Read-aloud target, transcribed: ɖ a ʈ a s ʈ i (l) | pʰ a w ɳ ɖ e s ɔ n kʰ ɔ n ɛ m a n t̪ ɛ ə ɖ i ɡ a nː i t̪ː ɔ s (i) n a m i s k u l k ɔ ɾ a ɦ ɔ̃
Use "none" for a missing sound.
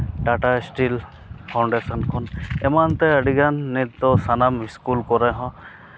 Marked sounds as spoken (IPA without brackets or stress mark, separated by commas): l, a